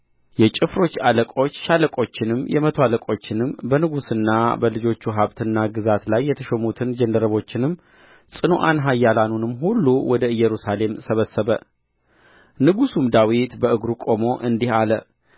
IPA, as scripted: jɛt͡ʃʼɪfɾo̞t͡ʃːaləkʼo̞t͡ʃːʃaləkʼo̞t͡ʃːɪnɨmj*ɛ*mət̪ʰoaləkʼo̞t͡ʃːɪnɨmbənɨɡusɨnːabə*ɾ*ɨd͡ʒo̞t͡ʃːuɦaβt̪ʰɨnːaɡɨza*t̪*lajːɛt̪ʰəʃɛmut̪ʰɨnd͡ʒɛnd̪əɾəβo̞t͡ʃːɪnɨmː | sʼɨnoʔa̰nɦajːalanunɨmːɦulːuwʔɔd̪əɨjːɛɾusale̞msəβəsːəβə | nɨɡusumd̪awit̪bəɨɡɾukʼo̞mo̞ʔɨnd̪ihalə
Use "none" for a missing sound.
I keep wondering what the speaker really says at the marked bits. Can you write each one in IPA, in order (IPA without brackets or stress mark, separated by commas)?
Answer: ɛ, l, t̪